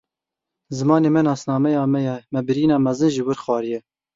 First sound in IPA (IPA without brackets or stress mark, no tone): z